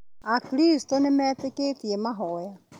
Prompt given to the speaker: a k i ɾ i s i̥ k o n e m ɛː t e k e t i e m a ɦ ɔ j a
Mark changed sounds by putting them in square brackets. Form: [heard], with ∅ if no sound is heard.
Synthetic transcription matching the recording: a k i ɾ i s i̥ [t] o n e m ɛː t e k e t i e m a ɦ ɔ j a

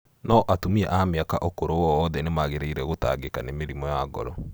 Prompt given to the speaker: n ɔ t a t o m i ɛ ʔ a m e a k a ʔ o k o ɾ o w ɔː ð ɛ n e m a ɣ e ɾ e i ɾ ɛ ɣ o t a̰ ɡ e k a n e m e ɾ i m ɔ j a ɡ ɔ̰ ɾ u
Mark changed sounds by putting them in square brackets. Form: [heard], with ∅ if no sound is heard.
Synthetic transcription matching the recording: n ɔ [ʔ] a t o m i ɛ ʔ a m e a k a ʔ o k o ɾ o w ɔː ð ɛ n e m a ɣ e ɾ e i ɾ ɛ ɣ o t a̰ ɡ e k a n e m e ɾ i m ɔ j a ɡ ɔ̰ ɾ [ɔ]

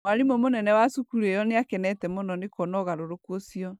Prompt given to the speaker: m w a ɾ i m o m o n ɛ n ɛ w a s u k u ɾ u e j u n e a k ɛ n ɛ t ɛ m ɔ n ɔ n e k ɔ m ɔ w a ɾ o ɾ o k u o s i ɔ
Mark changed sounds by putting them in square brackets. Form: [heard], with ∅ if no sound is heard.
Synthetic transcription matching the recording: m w a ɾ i m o m o n ɛ n ɛ w a s u k u ɾ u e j [ɔ] n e a k ɛ n ɛ t ɛ m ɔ n ɔ n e k ɔ [n] ɔ [ɣ] a ɾ o ɾ o k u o s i ɔ

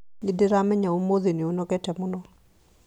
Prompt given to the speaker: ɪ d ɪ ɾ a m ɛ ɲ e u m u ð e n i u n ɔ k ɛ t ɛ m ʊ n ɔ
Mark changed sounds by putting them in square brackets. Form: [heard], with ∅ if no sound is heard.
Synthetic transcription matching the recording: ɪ d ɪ ɾ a m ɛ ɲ [a] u m [o] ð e n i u n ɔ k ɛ t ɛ m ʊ n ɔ

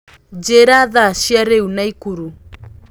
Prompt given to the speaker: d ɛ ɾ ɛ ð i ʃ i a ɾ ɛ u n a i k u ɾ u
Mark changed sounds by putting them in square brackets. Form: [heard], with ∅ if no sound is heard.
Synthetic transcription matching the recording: [d͡ʒ] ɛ ɾ [a] ð [a] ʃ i a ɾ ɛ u n a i k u ɾ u

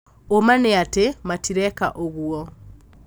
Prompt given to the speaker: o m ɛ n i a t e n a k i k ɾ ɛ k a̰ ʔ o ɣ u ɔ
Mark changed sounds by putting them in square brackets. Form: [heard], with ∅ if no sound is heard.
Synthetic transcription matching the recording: o m [a] n [e] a t e [m] a [t] i [∅] ɾ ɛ k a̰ ʔ o ɣ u ɔ

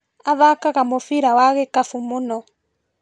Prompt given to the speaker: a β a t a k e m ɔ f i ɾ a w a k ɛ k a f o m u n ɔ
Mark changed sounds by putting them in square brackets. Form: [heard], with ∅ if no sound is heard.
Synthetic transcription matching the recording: a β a [k] a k [a] m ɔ f i ɾ a w a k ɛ k a f [u] m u n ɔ

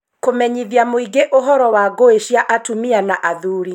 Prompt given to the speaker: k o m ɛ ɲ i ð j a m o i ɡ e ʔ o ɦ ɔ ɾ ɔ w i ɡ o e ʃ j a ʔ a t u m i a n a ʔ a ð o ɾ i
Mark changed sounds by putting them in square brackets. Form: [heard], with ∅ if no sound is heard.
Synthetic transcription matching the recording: k o m ɛ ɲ i ð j a m o i ɡ e ʔ o ɦ ɔ ɾ ɔ w [a] ɡ o e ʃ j a ʔ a t u m i a n a ʔ a ð [u] ɾ i

